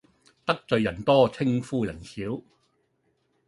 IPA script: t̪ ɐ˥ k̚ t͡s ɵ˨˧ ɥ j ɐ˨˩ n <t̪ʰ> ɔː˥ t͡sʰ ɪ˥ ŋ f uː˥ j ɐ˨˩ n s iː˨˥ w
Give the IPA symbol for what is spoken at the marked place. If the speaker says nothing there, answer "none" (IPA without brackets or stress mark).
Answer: t̪